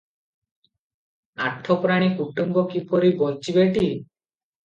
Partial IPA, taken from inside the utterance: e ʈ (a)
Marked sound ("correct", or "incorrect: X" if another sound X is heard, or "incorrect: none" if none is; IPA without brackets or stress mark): incorrect: i